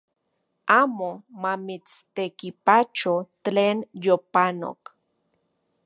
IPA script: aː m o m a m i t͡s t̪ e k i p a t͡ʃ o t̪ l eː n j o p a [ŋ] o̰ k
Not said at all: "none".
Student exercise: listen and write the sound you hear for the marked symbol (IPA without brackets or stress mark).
n